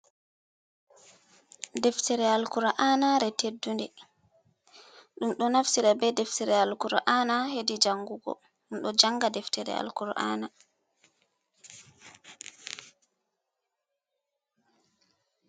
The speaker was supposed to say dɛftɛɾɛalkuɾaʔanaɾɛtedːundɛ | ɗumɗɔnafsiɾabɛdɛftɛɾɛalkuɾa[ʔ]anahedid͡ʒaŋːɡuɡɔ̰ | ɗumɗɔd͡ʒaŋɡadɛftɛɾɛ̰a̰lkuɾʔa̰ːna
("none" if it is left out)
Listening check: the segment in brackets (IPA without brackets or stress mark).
ʔ